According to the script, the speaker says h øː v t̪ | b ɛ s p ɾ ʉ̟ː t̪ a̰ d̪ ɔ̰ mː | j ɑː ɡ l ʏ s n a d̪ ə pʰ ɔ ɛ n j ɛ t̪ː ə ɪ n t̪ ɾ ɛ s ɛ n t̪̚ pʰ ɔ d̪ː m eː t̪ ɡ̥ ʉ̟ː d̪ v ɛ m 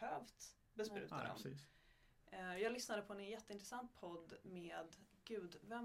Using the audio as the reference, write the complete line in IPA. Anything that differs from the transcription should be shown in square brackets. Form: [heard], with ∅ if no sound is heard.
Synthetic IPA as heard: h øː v t̪ | b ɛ s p ɾ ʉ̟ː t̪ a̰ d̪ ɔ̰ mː | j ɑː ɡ l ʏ s n a d̪ ə pʰ ɔ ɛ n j ɛ t̪ː ə ɪ n t̪ ɾ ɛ s [a] n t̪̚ pʰ ɔ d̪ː m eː [d̪] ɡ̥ ʉ̟ː d̪ v ɛ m